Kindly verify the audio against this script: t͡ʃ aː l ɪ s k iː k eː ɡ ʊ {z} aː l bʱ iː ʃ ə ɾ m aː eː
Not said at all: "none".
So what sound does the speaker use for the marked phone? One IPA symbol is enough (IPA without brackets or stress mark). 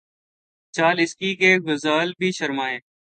z